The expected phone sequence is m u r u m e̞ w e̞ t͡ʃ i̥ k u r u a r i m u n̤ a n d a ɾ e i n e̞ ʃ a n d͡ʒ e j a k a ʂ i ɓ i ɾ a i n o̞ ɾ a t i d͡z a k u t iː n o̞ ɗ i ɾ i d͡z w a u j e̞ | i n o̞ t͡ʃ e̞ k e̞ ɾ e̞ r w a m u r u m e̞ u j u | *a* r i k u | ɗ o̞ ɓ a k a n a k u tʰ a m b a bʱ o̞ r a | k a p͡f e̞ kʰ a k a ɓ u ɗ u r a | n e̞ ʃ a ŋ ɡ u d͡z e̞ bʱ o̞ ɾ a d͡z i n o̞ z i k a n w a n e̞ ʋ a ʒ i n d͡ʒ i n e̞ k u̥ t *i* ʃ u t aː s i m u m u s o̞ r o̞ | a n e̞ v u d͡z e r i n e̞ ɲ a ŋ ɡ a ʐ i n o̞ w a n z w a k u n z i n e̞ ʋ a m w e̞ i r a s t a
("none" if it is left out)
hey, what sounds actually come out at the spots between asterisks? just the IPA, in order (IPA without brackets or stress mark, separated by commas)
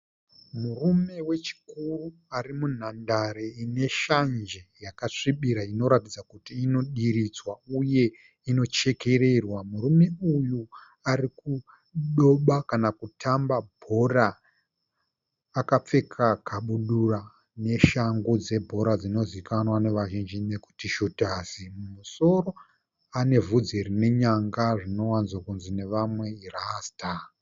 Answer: a, i